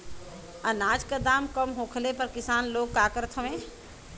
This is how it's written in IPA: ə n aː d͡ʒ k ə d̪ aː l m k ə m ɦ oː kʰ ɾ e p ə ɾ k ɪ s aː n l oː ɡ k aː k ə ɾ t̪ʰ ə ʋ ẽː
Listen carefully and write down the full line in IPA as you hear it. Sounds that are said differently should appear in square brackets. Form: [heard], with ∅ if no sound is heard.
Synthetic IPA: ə n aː d͡ʒ k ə d̪ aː [∅] m k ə m ɦ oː kʰ [l] e p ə ɾ k ɪ s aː n l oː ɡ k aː k ə ɾ t̪ʰ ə ʋ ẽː